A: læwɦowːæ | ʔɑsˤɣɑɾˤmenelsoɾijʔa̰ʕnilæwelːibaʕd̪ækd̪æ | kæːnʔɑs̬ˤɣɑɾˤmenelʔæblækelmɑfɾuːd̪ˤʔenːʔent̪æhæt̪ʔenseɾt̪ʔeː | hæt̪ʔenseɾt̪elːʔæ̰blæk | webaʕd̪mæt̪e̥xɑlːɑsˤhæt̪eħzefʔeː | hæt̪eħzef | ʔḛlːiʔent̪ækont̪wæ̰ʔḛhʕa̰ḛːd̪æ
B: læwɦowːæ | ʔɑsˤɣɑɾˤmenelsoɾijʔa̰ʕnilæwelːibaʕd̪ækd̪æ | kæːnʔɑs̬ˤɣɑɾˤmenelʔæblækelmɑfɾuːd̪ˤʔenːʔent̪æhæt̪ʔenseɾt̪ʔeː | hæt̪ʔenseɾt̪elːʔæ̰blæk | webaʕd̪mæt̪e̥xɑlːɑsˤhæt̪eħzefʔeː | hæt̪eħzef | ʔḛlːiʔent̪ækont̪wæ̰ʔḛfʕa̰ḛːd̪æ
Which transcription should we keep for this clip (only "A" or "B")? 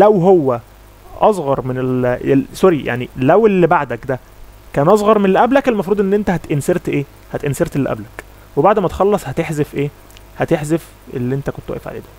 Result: B